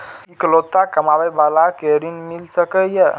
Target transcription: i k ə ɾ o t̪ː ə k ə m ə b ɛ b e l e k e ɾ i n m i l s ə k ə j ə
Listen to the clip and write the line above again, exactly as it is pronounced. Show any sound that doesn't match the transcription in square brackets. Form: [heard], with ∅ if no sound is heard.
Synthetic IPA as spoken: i k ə [l] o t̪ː [a] k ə m [a] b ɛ b [a] l [a] k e ɾ i n m i l s ə k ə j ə